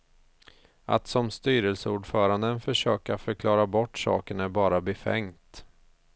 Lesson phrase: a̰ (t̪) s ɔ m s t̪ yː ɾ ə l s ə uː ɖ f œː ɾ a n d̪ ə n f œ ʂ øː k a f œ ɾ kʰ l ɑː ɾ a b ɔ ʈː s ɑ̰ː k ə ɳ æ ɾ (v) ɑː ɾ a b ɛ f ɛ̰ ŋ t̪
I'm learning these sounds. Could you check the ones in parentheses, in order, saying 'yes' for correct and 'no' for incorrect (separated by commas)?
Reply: yes, no